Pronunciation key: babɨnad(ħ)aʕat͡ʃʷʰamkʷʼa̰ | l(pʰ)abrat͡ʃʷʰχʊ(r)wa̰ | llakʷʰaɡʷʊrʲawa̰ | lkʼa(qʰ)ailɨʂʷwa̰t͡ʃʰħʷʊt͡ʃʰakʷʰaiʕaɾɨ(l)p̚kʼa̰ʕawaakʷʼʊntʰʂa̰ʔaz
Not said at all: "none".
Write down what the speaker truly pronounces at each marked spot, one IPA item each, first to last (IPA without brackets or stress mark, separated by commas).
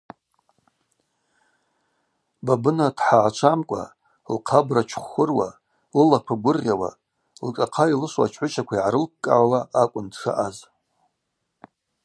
ħ, qʰ, r, qʰ, l